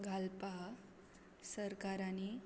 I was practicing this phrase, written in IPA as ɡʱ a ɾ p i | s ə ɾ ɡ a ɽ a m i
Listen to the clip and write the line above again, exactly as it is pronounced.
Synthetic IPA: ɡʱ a l p a | s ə ɾ k a ɾ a n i